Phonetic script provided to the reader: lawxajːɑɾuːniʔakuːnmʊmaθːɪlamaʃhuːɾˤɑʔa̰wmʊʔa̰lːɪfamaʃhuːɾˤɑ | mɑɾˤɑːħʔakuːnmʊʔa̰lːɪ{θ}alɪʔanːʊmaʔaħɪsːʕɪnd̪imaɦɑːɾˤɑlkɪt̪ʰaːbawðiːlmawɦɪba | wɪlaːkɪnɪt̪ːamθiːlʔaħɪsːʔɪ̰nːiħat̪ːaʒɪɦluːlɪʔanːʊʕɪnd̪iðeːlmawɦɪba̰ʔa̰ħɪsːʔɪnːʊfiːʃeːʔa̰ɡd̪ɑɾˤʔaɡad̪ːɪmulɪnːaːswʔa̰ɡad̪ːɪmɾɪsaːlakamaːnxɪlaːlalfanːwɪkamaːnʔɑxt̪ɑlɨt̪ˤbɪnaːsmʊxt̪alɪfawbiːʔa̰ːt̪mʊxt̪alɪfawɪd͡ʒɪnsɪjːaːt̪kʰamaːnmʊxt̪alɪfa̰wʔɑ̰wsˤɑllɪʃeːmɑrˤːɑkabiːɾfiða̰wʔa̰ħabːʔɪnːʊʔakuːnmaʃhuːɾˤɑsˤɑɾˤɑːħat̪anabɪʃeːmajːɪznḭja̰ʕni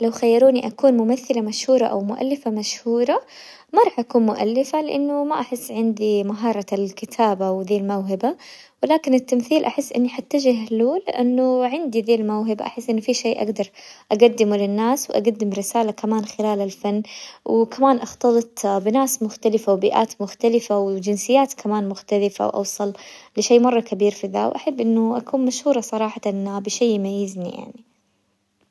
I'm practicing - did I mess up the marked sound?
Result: yes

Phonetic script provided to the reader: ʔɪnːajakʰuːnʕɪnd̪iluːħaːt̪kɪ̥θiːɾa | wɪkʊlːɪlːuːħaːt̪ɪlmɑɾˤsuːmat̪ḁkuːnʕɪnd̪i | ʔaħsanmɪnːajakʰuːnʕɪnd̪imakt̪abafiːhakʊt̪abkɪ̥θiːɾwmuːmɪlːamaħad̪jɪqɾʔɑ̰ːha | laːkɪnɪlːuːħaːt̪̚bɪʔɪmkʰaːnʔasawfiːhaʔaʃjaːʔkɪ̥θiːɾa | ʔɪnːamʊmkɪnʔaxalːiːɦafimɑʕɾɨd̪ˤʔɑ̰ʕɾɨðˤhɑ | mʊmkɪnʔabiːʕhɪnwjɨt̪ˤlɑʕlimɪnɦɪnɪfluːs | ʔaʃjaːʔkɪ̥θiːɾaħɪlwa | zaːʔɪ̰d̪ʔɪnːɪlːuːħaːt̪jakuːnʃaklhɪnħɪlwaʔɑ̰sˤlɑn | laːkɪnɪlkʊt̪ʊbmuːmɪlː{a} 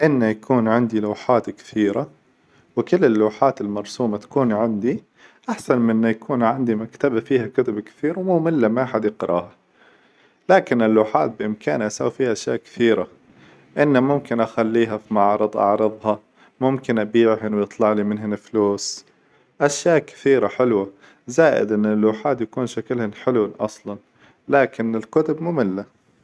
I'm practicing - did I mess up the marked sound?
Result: no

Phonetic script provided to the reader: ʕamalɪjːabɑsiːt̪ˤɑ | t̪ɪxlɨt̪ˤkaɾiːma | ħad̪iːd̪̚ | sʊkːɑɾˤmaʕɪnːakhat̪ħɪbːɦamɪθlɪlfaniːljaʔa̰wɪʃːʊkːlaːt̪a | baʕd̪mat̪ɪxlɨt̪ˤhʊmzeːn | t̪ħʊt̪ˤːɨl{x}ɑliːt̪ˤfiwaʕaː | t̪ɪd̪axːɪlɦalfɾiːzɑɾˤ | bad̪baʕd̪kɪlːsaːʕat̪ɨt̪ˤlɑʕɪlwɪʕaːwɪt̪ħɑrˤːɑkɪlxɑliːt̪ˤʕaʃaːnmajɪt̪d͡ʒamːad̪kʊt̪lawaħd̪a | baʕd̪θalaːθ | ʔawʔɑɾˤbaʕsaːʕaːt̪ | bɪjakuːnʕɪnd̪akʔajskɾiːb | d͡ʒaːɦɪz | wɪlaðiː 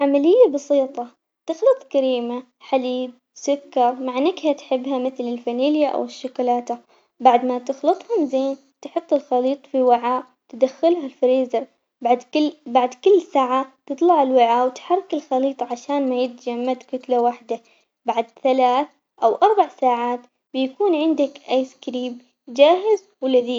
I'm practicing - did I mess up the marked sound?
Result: no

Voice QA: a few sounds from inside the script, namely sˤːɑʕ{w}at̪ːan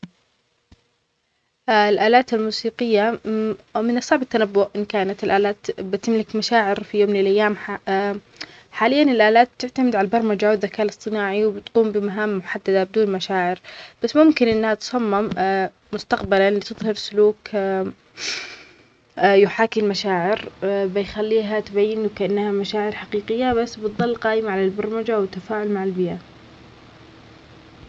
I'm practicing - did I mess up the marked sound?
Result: yes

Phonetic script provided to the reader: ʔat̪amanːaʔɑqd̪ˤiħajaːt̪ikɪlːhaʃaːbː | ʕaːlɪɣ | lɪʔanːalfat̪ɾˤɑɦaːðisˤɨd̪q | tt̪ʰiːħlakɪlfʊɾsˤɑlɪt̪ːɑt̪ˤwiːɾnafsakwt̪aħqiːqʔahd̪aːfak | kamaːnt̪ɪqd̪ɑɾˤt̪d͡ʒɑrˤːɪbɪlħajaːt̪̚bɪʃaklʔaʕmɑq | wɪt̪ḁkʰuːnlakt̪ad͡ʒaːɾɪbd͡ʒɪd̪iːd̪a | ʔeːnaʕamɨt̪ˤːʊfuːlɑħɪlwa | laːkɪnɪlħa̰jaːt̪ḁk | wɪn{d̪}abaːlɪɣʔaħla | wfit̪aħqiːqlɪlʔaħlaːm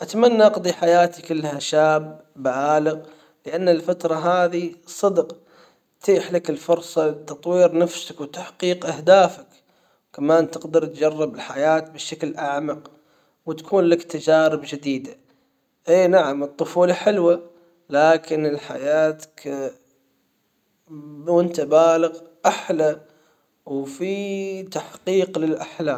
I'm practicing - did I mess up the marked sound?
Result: yes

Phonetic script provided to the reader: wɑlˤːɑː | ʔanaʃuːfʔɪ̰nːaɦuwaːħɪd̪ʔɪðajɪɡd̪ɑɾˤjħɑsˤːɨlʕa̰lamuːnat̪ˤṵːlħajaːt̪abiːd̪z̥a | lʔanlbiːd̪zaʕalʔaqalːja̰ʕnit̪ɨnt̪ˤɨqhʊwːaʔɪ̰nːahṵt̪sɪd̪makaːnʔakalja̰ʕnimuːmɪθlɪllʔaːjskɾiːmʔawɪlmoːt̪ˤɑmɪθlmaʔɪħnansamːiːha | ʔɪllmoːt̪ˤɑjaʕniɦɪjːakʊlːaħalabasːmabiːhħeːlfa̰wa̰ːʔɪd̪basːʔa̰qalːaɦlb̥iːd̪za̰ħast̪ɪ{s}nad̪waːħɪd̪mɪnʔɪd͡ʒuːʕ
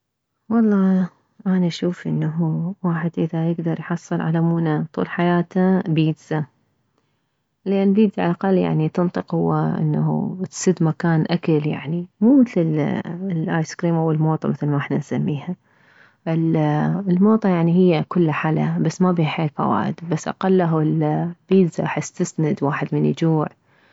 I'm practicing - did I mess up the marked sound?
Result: no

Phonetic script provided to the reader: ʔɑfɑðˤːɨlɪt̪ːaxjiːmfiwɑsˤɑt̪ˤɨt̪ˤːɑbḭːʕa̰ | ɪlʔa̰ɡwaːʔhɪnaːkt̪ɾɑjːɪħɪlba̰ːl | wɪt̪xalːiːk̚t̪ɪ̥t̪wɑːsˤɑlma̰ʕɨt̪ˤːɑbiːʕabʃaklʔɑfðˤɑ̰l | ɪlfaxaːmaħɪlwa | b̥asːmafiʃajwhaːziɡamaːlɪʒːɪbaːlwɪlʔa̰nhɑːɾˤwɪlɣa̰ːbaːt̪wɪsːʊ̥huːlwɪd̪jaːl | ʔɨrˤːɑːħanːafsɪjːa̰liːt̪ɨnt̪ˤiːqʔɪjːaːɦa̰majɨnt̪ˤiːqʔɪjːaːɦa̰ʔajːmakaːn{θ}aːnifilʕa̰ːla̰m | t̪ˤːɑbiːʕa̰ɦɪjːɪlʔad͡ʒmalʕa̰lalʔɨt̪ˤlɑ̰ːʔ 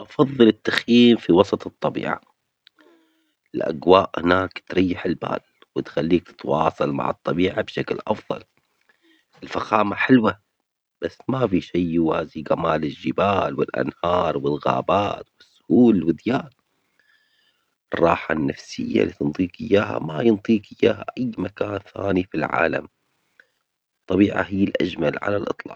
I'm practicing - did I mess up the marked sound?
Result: no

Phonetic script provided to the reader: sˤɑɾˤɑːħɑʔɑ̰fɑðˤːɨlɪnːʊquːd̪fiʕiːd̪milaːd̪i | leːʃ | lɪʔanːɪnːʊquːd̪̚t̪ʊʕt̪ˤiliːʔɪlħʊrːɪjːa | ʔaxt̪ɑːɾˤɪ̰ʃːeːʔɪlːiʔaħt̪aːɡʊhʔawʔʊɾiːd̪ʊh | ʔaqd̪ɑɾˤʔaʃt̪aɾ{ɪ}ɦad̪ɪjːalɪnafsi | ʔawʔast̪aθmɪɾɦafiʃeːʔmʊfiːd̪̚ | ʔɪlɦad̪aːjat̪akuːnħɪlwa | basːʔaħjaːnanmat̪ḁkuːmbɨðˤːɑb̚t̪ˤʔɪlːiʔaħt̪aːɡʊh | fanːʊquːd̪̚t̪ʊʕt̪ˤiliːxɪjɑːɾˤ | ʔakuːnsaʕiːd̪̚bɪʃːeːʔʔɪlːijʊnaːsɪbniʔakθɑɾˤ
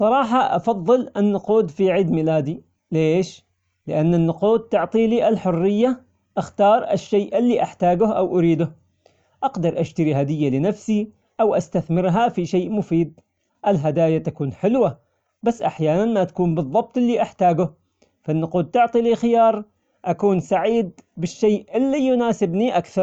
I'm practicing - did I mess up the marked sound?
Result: yes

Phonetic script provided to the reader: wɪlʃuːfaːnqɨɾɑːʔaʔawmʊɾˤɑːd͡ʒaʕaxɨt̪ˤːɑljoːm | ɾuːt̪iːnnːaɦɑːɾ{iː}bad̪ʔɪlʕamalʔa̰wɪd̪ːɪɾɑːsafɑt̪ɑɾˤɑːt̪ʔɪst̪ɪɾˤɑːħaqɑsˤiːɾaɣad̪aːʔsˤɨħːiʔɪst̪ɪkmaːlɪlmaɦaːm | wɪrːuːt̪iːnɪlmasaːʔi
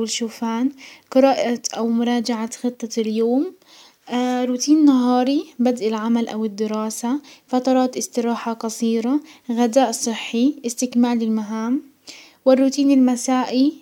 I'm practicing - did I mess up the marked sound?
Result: yes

